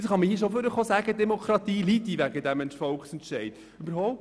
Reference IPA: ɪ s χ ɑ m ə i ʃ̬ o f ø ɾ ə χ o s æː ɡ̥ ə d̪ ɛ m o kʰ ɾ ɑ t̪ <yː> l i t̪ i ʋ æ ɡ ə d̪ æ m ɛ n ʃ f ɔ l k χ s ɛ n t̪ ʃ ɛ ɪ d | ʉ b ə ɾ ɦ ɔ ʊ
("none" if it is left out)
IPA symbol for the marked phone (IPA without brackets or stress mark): iː